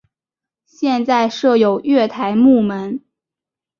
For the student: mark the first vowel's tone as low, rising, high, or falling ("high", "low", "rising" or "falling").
falling